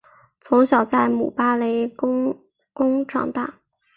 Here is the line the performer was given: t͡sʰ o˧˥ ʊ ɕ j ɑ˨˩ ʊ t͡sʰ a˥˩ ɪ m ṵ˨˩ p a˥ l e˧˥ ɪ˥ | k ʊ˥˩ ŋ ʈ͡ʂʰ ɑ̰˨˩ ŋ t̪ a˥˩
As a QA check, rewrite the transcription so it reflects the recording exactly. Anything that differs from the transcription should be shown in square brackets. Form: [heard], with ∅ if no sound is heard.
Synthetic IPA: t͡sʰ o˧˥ ʊ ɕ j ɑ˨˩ ʊ [t͡s] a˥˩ ɪ m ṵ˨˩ p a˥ l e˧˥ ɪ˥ | k [ʊ˥] ŋ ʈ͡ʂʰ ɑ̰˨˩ ŋ t̪ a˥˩